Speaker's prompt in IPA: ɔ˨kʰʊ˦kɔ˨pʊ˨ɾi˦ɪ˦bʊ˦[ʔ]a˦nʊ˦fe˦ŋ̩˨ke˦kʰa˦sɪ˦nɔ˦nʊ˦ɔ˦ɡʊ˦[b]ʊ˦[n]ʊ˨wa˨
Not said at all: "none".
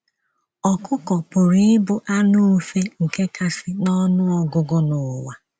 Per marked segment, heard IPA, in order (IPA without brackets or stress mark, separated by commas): ʔ, ɡ, n